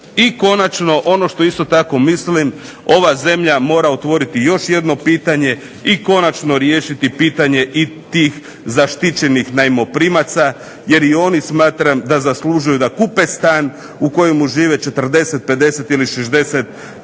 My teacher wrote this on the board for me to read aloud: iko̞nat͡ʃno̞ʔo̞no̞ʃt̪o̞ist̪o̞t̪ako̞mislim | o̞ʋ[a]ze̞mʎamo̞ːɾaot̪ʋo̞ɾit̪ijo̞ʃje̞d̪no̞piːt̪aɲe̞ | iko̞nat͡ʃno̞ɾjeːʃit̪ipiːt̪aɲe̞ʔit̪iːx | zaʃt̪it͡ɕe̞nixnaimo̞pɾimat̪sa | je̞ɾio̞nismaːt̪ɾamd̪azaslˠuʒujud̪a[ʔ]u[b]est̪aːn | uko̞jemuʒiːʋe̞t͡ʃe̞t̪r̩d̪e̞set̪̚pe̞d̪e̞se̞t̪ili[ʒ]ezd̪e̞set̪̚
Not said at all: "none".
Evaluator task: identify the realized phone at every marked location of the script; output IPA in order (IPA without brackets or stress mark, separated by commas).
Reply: a, k, p, ʃ